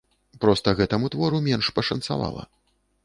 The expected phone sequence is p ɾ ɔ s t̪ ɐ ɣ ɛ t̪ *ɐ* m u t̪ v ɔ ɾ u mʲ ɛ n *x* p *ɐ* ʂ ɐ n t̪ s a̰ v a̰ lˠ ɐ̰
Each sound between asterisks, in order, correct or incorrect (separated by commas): correct, incorrect, correct